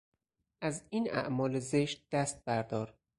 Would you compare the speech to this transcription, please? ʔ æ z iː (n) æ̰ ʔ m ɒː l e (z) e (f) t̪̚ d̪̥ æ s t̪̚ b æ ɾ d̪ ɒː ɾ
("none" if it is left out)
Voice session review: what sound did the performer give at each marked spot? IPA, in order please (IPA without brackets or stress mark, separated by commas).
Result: n, z, ʃ